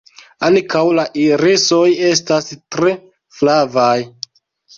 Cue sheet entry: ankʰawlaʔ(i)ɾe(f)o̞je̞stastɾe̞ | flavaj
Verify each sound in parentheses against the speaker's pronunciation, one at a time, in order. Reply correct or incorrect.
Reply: correct, incorrect: s

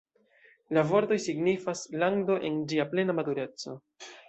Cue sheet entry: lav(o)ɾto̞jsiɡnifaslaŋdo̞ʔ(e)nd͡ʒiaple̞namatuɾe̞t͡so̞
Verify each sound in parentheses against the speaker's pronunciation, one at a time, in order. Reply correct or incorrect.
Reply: correct, correct

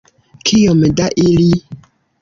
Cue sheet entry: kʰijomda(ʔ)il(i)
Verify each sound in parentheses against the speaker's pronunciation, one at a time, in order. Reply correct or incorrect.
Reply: correct, correct

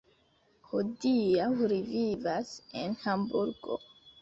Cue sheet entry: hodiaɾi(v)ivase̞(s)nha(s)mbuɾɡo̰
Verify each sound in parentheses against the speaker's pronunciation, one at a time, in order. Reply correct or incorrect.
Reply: correct, incorrect: none, incorrect: none

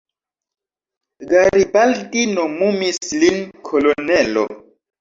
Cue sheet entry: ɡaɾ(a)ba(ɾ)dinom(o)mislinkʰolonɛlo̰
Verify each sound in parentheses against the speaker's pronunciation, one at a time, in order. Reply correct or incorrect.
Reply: incorrect: i, incorrect: l, incorrect: u

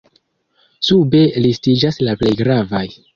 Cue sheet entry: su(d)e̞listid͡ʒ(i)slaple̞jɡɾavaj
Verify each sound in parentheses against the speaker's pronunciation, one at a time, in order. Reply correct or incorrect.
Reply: incorrect: b, incorrect: a

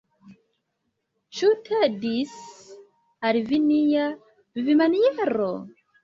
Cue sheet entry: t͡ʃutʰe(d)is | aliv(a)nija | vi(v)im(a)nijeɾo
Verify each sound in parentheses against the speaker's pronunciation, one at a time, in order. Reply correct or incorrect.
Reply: correct, incorrect: i, correct, correct

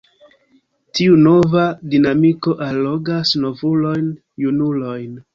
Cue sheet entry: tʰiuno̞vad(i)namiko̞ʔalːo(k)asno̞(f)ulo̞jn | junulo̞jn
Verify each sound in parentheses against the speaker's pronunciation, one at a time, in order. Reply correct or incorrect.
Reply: correct, incorrect: ɡ, incorrect: v

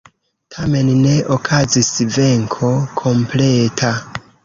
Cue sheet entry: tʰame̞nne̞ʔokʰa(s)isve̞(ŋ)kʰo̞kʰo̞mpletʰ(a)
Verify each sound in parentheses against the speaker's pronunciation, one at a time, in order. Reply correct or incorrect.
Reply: incorrect: z, correct, correct

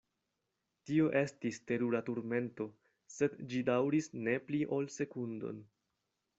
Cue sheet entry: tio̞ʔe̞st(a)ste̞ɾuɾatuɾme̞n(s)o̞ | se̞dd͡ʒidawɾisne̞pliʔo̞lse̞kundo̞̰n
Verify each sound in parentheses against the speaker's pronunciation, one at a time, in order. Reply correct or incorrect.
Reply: incorrect: i, incorrect: t

